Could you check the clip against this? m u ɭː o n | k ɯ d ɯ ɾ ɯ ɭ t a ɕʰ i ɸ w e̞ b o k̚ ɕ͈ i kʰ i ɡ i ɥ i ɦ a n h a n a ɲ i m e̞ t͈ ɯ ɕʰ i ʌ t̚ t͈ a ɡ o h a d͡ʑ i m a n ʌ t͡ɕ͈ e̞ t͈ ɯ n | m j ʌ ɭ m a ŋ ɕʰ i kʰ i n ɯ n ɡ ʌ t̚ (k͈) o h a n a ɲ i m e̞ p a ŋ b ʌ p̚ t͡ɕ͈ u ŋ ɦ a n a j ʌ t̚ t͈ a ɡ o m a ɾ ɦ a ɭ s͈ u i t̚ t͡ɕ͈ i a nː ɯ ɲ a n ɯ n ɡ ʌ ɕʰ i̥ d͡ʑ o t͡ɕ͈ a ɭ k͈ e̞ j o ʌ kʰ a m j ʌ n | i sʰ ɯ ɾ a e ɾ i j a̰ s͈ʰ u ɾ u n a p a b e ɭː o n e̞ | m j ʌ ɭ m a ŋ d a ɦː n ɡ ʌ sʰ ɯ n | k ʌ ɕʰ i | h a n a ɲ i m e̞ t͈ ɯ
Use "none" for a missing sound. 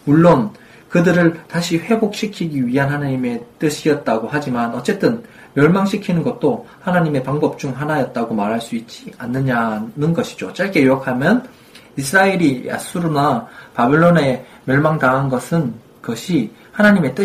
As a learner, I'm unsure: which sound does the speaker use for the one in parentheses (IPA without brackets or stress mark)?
t͈